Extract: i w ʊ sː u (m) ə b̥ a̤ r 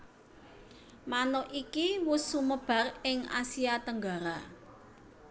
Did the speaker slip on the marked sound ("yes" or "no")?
no